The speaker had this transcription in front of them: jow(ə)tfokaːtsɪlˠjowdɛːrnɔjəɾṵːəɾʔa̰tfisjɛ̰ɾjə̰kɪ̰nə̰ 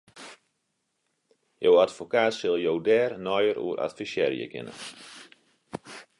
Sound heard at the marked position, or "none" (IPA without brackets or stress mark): a